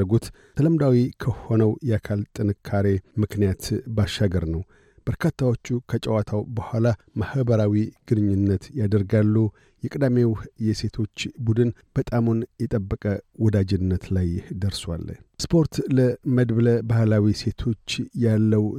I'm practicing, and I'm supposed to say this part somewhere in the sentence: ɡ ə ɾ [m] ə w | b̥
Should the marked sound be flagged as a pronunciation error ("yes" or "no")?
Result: yes